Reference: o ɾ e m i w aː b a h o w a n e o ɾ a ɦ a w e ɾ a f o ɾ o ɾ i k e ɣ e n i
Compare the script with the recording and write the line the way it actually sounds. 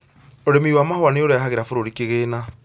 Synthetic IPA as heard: o ɾ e m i w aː m a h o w a n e o ɾ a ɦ a ɣ e ɾ a f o ɾ o ɾ i k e ɣ e n a